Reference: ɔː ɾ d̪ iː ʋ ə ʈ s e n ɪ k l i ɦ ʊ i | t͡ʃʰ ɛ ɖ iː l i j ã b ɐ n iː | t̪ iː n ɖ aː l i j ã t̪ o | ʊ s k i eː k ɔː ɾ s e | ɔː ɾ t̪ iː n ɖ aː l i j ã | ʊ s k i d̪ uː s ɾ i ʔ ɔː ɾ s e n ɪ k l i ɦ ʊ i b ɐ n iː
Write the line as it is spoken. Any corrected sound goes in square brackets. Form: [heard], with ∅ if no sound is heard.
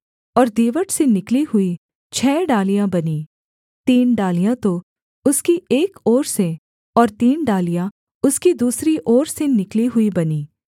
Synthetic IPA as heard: ɔː ɾ d̪ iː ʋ ə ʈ s e n ɪ k l i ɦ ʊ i | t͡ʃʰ [ɛː] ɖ [aː] l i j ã b ɐ n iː | t̪ iː n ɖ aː l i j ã t̪ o | ʊ s k i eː k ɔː ɾ s e | ɔː ɾ t̪ iː n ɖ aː l i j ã | ʊ s k i d̪ uː s ɾ i ʔ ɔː ɾ s e n ɪ k l i ɦ ʊ i b ɐ n iː